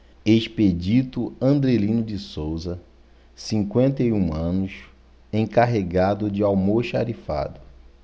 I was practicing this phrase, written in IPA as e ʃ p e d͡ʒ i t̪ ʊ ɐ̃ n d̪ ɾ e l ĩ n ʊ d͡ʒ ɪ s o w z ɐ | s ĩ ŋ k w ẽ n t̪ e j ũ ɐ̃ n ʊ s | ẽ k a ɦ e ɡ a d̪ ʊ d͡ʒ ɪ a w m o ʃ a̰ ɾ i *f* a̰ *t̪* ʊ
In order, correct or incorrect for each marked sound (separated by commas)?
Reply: correct, incorrect